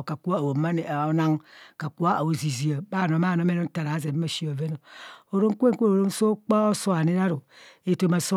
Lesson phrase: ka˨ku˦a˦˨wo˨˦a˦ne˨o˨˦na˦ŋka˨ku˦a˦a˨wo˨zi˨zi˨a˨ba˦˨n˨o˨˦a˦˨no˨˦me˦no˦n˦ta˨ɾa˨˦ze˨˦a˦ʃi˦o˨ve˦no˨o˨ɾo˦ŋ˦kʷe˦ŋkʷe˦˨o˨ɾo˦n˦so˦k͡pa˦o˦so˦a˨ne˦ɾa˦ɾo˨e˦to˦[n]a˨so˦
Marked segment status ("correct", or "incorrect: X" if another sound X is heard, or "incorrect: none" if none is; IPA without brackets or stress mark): incorrect: m